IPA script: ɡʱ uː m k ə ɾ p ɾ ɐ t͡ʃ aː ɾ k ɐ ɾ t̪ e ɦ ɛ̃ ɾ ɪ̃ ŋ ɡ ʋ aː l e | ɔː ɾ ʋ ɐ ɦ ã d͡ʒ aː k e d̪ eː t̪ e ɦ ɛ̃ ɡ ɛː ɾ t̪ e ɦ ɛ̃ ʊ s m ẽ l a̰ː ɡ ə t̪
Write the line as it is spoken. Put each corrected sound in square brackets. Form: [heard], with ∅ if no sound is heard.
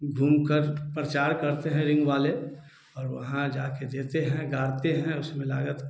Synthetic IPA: ɡʱ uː m k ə ɾ p ɾ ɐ t͡ʃ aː ɾ k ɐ ɾ t̪ e ɦ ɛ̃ ɾ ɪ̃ ŋ ɡ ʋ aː l e | ɔː ɾ ʋ ɐ ɦ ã d͡ʒ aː k e d̪ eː t̪ e ɦ ɛ̃ ɡ [aː] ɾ t̪ e ɦ ɛ̃ ʊ s m ẽ l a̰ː ɡ ə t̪